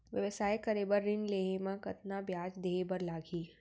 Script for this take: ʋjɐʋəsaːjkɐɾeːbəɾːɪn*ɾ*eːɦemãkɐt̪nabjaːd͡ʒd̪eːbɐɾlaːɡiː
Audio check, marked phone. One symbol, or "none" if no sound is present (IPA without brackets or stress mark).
l